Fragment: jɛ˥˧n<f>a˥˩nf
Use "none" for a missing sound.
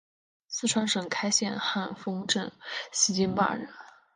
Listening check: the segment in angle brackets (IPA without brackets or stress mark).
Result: x